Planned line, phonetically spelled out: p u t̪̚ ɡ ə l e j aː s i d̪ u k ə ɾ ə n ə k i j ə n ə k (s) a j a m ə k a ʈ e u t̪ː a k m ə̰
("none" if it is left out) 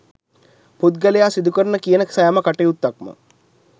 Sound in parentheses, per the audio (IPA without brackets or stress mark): s